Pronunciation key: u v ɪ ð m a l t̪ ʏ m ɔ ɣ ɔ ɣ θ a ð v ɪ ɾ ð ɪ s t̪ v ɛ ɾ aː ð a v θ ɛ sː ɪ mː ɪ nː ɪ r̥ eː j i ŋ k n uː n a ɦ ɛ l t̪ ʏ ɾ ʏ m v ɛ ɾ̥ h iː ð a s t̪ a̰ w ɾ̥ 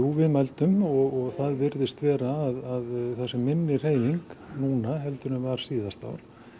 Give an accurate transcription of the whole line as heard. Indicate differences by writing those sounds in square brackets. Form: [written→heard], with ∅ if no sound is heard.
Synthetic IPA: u v ɪ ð m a l t̪ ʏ m ɔ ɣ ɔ ɣ θ a ð v ɪ ɾ ð ɪ s t̪ v [ɛ→ɛː] ɾ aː ð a [v→ð] θ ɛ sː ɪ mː ɪ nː ɪ r̥ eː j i ŋ k n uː n a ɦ ɛ l t̪ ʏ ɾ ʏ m v [ɛ→a] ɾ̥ [h→s] iː ð a s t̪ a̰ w ɾ̥